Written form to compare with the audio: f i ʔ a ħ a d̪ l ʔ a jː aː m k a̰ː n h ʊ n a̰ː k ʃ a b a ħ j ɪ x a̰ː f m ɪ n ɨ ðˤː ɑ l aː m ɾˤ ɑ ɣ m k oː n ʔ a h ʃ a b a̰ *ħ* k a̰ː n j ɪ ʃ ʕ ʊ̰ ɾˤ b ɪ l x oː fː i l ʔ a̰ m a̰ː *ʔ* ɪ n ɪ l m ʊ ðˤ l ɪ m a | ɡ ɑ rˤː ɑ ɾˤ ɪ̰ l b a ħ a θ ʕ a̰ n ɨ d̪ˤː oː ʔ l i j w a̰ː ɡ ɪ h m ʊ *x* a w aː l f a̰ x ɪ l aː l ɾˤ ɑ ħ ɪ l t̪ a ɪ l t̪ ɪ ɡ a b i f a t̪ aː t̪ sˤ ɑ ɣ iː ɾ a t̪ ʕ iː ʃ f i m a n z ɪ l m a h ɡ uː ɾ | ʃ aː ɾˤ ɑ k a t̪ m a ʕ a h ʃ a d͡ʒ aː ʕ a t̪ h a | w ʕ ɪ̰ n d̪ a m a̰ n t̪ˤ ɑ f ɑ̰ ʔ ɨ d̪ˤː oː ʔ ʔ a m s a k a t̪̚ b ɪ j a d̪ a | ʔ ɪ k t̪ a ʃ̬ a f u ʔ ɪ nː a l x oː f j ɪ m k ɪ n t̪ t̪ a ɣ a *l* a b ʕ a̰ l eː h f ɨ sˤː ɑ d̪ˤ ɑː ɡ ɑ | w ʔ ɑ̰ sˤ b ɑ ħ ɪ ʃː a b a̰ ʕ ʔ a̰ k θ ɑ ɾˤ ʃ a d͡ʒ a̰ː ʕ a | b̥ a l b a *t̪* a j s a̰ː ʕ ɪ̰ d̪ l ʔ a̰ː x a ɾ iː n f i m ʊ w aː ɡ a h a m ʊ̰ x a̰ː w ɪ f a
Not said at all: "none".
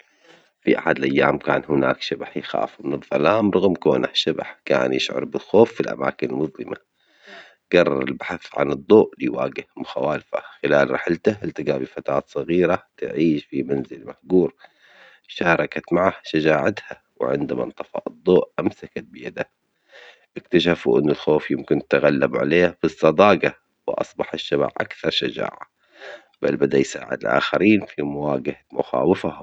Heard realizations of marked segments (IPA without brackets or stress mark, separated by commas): ħ, k, x, lː, d̪